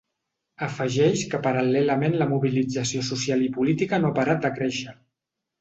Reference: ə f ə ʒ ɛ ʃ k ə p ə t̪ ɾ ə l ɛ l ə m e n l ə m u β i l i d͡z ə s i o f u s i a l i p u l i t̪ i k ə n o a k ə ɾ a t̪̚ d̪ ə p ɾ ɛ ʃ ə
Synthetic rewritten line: ə f ə ʒ ɛ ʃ k ə p ə ɾ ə l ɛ l ə m e n l ə m u β i l i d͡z ə s i o s u s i a l i p u l i t̪ i k ə n o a p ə ɾ a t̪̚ d̪ ə k ɾ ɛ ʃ ə